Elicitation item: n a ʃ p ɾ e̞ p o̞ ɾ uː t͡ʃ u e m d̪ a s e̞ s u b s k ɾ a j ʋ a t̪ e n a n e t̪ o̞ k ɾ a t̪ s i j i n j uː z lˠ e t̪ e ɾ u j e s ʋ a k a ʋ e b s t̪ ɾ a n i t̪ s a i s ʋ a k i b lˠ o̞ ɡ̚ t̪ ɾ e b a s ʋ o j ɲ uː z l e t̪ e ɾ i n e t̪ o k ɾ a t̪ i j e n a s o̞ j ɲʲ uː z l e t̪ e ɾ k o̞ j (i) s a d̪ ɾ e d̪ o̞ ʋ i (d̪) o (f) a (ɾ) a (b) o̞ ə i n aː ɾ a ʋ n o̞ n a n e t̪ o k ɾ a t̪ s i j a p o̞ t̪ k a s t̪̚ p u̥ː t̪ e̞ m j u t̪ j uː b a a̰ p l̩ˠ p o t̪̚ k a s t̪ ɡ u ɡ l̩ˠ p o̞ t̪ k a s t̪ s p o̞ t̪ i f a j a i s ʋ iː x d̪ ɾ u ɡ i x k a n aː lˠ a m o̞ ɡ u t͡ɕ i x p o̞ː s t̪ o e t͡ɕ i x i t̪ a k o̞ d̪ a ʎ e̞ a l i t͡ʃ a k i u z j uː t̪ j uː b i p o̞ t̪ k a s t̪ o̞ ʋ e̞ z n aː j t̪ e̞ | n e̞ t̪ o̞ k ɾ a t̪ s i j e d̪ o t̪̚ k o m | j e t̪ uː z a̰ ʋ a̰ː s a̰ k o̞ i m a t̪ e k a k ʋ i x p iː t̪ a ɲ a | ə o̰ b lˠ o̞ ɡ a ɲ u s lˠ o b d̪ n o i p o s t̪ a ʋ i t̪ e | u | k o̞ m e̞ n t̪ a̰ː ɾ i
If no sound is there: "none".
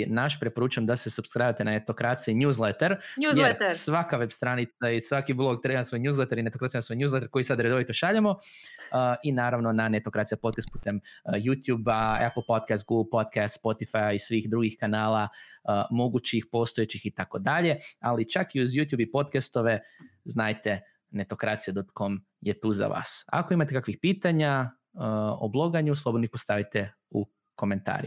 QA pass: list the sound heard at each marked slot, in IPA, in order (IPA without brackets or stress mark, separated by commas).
i, t̪, ʃ, ʎ, m